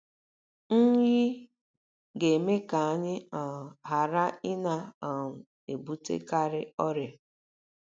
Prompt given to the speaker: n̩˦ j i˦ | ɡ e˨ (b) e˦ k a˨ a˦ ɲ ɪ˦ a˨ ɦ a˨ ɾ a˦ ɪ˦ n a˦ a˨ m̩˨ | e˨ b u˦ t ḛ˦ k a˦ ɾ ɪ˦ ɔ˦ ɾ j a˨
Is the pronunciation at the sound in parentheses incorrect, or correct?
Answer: incorrect